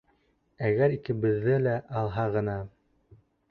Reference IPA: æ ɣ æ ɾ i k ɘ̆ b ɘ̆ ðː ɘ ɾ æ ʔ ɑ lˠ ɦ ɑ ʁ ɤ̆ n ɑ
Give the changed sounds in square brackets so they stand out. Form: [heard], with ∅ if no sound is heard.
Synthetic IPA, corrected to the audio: æ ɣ æ ɾ i k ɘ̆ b ɘ̆ ðː ɘ [l] æ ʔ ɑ lˠ ɦ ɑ ʁ ɤ̆ n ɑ